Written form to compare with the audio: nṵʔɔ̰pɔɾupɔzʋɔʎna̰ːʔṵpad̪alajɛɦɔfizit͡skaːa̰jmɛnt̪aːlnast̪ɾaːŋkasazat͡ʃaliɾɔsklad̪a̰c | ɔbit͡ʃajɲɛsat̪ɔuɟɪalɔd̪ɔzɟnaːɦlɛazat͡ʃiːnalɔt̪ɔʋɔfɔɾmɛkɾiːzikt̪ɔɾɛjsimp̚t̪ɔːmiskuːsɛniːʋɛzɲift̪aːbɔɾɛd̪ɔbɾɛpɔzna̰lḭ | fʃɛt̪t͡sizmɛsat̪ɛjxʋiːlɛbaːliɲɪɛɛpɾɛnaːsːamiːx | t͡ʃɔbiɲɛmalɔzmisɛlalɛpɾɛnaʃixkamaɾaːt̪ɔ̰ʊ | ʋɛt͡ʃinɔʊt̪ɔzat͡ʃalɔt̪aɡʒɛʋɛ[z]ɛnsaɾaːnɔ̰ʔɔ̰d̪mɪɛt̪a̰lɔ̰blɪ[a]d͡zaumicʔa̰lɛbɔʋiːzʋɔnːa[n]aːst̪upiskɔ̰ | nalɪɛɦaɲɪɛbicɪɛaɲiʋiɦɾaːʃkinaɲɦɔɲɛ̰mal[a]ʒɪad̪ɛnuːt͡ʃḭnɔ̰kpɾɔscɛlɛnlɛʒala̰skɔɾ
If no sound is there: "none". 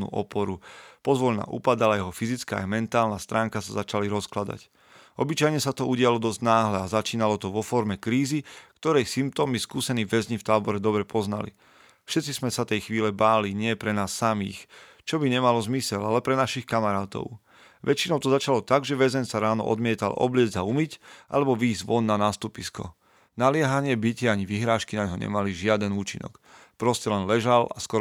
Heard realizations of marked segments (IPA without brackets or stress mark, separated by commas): z, ɛ, n, i